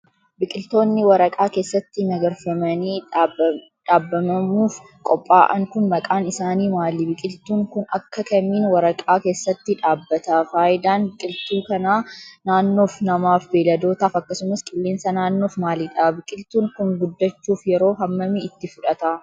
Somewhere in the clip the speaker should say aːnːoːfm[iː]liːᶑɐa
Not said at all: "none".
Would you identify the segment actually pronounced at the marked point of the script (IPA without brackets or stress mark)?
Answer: aː